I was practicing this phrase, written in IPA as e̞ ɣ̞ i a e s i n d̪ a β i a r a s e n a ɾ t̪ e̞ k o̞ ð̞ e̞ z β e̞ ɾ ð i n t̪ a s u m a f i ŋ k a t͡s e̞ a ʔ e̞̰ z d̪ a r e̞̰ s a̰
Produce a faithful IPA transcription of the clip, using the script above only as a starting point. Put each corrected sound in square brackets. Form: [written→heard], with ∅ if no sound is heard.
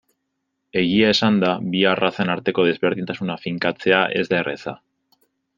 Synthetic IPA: e̞ ɣ̞ i a e s [i→a] n d̪ a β i a r a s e n a ɾ t̪ e̞ k o̞ ð̞ e̞ z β e̞ ɾ ð i n t̪ a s u [m→n] a f i ŋ k a t͡s e̞ a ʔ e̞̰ z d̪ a r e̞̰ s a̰